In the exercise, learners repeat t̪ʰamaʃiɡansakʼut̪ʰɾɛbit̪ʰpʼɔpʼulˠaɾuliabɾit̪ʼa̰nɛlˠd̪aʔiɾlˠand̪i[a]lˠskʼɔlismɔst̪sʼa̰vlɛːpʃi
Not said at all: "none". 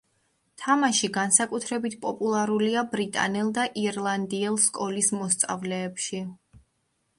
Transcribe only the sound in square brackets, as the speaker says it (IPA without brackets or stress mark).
ɛ